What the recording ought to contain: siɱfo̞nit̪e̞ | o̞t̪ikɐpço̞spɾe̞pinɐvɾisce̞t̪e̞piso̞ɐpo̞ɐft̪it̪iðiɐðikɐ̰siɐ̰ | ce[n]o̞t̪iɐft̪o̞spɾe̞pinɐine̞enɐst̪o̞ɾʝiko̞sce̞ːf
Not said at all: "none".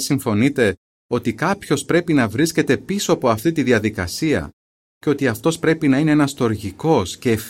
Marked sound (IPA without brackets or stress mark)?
none